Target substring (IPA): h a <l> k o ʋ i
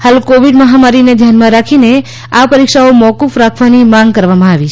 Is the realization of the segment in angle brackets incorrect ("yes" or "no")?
no